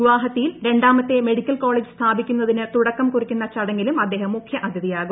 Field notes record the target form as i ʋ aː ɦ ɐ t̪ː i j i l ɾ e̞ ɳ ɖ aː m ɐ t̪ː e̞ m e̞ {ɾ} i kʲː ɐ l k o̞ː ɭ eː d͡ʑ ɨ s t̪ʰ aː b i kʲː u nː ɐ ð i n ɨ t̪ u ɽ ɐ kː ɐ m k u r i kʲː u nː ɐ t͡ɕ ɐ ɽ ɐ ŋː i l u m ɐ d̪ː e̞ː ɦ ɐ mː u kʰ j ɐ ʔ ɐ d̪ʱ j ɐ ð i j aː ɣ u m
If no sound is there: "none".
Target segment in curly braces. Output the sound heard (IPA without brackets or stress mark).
ɽ